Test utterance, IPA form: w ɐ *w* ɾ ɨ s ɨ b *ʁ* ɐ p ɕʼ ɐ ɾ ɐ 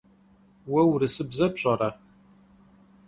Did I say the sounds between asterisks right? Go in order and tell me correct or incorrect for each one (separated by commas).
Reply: correct, incorrect